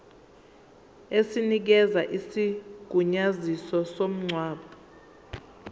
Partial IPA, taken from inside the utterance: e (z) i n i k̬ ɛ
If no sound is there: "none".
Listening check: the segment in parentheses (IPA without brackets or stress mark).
s